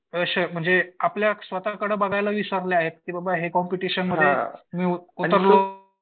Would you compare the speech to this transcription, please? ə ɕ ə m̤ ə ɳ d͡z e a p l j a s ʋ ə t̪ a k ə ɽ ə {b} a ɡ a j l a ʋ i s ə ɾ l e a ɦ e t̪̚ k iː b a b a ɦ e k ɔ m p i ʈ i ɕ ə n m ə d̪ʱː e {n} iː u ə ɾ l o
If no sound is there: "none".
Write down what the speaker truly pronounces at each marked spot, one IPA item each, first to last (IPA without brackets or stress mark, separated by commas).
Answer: b, m